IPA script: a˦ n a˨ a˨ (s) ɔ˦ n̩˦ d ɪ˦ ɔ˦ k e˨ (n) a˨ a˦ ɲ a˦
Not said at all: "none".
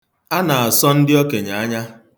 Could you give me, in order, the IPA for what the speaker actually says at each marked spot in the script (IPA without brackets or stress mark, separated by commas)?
s, ɲ